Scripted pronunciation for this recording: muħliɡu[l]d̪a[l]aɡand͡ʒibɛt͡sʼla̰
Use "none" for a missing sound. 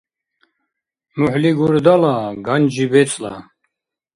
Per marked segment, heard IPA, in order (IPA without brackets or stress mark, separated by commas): ɾ, l